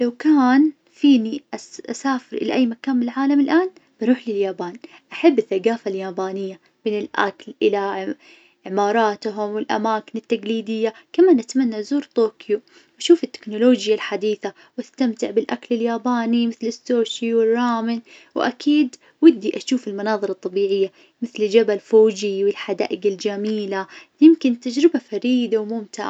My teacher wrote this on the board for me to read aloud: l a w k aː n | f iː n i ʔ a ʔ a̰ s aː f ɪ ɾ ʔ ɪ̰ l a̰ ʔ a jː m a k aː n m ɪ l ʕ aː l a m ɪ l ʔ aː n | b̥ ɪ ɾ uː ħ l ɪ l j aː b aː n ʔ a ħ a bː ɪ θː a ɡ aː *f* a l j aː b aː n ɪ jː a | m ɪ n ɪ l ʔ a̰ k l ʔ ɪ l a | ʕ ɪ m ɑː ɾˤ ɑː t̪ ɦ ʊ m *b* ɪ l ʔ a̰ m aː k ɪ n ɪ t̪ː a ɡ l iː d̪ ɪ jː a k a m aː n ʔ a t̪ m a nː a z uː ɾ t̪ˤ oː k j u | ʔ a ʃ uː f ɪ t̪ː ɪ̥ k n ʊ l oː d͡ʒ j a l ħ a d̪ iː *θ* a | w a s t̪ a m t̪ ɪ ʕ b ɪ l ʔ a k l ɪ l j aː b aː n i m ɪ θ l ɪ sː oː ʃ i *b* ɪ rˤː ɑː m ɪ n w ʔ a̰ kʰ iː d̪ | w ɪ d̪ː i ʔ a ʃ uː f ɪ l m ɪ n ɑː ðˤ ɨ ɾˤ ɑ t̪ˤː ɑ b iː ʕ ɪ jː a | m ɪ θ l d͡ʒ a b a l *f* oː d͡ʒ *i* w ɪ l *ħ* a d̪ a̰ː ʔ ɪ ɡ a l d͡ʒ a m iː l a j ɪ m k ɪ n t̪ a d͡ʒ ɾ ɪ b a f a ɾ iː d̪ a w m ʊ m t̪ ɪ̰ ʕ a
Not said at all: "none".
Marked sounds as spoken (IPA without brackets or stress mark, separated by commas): f, w, θ, w, f, i, ħ